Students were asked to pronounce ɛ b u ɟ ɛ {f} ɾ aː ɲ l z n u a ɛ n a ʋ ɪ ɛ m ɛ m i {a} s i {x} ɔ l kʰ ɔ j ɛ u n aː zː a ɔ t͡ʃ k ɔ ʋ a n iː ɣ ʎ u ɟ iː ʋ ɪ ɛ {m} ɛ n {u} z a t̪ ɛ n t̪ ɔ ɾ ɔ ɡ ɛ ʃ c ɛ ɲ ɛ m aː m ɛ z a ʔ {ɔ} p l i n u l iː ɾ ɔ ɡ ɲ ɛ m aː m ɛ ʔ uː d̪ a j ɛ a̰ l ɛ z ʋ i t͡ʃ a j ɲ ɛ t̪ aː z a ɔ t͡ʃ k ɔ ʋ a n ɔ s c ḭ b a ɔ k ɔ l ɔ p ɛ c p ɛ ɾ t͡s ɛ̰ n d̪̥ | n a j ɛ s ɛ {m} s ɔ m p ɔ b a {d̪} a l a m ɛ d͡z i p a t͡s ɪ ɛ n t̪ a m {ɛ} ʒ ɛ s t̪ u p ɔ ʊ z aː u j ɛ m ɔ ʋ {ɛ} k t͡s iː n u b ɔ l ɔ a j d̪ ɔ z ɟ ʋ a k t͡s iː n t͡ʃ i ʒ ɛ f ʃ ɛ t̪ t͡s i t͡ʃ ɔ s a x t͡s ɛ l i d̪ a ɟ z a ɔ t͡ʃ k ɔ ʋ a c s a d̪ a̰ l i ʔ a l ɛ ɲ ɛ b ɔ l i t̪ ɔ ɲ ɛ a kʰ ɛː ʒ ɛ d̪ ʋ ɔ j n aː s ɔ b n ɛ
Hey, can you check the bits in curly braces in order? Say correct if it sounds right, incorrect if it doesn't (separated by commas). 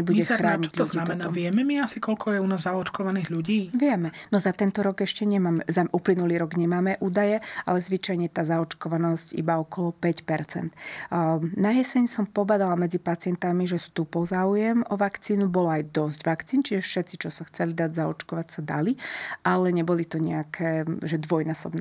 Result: incorrect, correct, incorrect, correct, incorrect, incorrect, incorrect, correct, incorrect, incorrect